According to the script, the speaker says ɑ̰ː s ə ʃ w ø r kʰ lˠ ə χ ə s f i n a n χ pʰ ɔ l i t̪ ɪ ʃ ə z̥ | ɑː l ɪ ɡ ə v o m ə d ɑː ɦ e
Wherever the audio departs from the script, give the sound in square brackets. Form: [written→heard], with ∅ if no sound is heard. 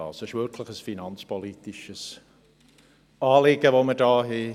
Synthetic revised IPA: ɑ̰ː s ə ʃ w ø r kʰ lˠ ə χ ə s f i n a n [χ→s] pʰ ɔ l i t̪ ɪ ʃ ə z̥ | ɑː l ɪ ɡ ə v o m ə d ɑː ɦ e